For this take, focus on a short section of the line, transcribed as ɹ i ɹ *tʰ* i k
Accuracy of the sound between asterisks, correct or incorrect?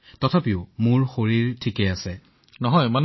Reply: correct